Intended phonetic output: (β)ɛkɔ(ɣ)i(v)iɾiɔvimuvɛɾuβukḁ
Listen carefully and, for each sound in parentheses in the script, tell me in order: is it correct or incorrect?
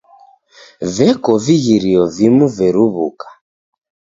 incorrect: v, incorrect: v, incorrect: ɣ

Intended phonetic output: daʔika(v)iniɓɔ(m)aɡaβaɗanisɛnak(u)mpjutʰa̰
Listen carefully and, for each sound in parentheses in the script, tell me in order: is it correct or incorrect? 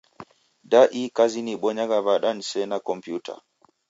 incorrect: z, incorrect: ɲ, incorrect: ɔ

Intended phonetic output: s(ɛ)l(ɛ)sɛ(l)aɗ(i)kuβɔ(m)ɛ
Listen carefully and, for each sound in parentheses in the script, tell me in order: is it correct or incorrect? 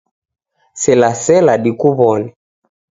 correct, incorrect: a, correct, correct, incorrect: n

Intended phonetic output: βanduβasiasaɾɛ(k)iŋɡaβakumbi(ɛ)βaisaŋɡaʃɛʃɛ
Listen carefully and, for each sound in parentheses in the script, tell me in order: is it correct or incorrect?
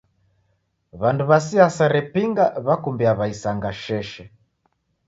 incorrect: p, incorrect: a

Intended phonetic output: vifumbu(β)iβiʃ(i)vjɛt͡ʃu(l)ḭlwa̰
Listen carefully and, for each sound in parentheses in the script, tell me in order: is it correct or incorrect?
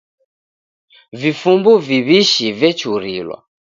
incorrect: v, correct, incorrect: ɾ

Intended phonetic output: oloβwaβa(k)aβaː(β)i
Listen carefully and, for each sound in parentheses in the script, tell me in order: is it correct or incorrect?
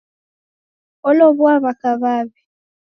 correct, correct

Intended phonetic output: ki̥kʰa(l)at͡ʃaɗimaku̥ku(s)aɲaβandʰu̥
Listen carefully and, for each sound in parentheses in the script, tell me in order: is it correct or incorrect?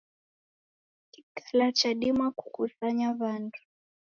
correct, correct

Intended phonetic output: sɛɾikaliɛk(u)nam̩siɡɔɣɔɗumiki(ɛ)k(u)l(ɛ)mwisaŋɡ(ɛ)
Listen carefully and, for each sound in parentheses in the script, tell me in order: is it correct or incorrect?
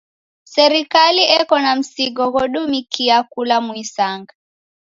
incorrect: ɔ, incorrect: a, correct, incorrect: a, incorrect: a

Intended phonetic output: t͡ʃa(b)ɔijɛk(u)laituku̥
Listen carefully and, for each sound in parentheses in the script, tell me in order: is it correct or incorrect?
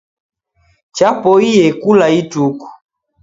incorrect: p, correct

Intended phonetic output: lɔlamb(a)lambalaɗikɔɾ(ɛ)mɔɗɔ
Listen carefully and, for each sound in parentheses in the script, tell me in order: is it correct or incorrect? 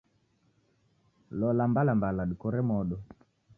correct, correct

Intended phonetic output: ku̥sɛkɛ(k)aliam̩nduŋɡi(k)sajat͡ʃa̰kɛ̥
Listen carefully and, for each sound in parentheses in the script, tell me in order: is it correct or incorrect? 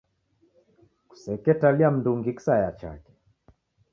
incorrect: t, correct

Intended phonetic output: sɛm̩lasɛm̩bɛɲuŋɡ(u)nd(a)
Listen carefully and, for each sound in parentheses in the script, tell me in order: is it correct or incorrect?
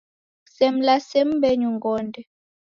incorrect: ɔ, incorrect: ɛ

